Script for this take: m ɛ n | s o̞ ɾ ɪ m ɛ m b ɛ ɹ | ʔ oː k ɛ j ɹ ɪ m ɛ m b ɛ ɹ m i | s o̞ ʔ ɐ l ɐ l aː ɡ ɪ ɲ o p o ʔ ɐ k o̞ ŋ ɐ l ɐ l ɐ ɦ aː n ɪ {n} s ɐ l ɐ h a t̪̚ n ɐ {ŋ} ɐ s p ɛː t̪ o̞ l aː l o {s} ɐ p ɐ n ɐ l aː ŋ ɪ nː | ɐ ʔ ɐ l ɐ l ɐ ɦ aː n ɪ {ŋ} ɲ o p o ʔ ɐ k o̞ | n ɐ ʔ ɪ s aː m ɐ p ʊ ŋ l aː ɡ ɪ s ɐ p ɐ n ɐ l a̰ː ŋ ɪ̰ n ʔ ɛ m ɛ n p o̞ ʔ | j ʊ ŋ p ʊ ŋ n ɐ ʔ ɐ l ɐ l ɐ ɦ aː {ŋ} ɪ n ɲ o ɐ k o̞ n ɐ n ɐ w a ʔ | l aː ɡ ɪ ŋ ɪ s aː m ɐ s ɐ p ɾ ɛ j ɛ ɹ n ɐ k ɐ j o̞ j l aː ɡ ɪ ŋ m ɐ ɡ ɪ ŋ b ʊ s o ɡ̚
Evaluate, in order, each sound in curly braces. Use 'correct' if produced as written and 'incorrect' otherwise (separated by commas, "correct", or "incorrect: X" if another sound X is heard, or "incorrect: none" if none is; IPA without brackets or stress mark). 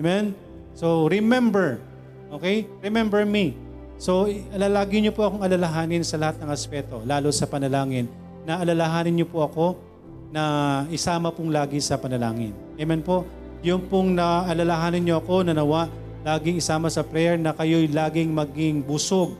correct, correct, correct, incorrect: n, incorrect: n